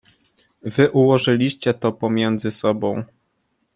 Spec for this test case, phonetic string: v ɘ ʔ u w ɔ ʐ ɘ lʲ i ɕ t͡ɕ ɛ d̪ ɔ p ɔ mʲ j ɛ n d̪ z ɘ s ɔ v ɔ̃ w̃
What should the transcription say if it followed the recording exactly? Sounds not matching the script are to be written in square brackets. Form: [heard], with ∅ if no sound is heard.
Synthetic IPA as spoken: v ɘ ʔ u w ɔ ʐ ɘ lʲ i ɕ t͡ɕ ɛ [t̪] ɔ p ɔ mʲ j ɛ n d̪ z ɘ s ɔ [b] ɔ̃ w̃